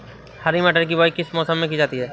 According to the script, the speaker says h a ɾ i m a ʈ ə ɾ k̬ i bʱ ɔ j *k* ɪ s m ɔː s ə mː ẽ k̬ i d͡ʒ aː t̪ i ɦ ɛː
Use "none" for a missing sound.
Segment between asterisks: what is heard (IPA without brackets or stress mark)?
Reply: k